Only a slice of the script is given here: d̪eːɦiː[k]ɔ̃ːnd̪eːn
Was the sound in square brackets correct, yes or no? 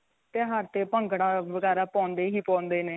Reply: no